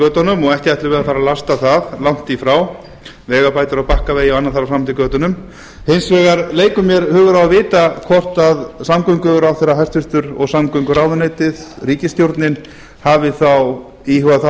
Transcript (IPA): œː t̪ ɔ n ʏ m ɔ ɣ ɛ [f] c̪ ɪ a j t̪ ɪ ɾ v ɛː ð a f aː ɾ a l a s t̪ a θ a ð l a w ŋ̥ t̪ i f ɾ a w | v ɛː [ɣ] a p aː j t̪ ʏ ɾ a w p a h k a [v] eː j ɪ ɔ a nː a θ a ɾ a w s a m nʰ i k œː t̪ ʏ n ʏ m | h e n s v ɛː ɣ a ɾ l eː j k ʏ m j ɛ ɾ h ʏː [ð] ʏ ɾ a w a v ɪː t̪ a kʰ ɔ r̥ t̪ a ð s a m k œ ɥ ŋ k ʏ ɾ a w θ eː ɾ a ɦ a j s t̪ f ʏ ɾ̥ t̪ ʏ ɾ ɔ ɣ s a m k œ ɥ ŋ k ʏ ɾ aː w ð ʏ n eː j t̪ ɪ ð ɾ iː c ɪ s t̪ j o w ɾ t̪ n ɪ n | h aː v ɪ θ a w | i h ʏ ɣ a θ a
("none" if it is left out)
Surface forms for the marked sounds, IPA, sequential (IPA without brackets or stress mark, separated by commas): h, ɣ, v, ɣ